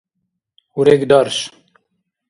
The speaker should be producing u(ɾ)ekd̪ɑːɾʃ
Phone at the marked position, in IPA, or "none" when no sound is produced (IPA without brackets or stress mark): ɾ